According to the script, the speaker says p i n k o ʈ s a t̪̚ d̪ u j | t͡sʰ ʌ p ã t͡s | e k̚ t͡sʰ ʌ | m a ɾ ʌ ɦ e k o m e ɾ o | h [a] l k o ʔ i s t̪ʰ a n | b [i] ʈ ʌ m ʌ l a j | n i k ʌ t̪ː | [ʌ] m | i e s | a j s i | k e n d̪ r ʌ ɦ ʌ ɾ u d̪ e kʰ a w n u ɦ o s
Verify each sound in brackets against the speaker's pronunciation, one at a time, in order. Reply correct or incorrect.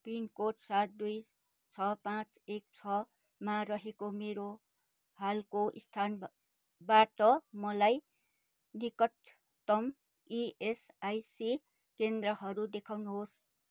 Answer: correct, incorrect, correct

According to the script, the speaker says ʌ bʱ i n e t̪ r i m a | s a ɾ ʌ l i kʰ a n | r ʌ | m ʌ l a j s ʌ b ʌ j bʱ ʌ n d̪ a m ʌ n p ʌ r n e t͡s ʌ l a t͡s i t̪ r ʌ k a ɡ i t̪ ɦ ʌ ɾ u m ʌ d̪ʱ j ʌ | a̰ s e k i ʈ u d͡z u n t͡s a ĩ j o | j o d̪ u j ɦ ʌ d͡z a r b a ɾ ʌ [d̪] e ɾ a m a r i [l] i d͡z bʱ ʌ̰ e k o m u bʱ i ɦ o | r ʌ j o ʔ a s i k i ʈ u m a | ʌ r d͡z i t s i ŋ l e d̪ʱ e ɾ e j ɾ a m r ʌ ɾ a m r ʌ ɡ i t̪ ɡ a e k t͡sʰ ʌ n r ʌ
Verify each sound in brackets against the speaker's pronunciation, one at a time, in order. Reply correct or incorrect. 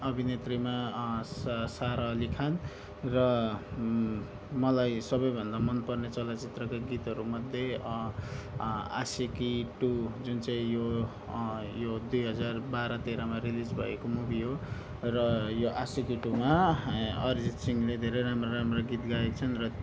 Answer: incorrect, correct

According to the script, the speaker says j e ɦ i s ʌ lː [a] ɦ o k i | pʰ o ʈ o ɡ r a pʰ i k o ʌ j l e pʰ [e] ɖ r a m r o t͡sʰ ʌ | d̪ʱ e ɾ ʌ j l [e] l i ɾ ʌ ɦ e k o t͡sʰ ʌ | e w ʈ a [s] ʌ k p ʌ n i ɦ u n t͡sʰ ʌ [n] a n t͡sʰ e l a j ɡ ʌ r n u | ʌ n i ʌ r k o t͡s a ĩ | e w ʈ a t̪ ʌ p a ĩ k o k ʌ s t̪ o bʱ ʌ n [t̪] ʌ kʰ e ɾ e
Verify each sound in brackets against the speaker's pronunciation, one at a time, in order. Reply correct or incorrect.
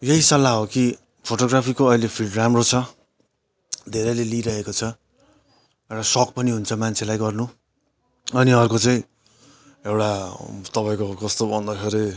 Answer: correct, incorrect, correct, correct, incorrect, incorrect

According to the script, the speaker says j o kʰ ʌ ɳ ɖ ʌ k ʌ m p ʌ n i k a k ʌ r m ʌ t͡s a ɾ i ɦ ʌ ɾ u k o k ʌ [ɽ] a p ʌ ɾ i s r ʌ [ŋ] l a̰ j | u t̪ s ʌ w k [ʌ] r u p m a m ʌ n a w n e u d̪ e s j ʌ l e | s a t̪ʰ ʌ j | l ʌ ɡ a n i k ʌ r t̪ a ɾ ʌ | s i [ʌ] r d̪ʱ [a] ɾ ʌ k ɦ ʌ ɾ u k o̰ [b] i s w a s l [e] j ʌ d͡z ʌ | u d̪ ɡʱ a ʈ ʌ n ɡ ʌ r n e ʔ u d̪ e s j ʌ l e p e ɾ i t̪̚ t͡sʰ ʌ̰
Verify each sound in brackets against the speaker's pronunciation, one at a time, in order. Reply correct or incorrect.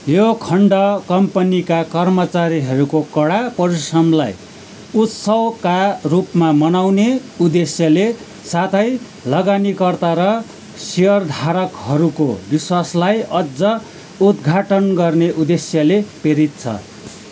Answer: correct, incorrect, incorrect, correct, correct, correct, incorrect

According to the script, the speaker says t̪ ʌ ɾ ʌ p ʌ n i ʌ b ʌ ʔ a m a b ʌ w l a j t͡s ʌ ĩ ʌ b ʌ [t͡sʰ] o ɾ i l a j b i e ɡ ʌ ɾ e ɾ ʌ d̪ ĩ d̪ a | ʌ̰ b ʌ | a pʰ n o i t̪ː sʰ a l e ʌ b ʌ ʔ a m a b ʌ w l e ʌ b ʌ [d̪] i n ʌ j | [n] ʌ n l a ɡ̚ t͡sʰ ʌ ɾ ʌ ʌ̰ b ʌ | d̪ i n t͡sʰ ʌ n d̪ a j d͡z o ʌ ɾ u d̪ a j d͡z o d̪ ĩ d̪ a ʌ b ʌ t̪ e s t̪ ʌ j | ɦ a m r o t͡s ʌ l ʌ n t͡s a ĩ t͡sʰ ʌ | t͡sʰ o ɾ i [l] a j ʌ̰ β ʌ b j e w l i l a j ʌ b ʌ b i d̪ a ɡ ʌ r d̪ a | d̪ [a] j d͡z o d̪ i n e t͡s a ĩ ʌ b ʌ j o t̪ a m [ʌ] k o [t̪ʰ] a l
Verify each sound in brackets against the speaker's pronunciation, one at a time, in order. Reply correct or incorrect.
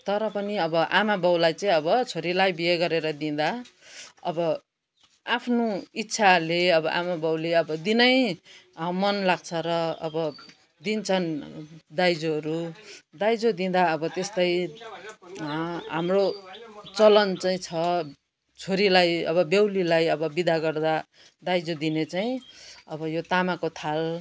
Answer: correct, correct, incorrect, correct, correct, incorrect, correct

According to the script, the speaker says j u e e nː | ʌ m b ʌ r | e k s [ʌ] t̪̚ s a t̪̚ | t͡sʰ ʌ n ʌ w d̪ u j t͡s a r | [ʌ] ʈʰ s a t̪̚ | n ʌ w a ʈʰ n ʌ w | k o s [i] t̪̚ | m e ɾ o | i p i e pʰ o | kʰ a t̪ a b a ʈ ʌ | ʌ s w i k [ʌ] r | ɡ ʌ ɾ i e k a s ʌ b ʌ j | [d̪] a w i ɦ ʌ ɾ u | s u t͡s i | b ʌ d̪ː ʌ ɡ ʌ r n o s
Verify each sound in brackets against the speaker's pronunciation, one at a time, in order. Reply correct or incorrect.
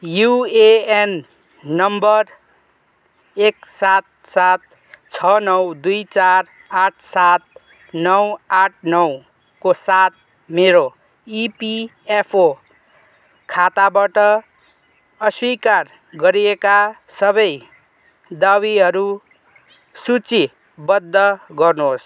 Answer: incorrect, incorrect, incorrect, incorrect, correct

